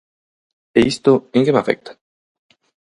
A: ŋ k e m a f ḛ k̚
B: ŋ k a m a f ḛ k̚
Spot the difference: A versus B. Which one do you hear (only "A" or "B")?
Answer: A